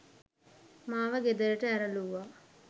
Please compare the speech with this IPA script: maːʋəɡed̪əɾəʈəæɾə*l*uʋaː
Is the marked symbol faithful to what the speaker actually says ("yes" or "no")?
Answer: yes